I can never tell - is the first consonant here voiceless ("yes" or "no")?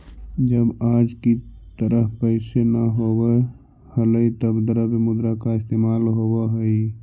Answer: no